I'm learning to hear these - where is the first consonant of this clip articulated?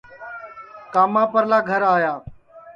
velum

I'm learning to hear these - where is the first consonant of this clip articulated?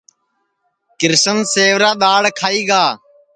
velum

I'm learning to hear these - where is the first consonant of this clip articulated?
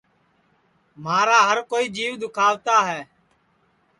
lips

